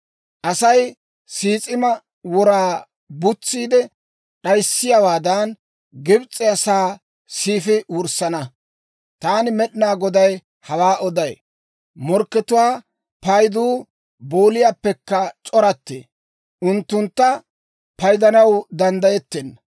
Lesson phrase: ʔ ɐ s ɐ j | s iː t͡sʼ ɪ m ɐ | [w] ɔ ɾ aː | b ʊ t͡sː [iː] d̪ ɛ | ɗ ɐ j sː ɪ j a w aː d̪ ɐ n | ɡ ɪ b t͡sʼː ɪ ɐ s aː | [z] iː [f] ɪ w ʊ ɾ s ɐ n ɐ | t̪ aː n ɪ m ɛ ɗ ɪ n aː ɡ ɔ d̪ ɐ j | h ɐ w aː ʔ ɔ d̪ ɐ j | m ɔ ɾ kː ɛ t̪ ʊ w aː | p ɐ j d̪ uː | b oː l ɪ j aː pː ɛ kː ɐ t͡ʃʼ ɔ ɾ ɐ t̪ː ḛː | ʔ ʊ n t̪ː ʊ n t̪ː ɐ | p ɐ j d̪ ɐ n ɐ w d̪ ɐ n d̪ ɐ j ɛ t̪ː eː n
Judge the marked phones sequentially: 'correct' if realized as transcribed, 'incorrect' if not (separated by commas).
correct, correct, incorrect, correct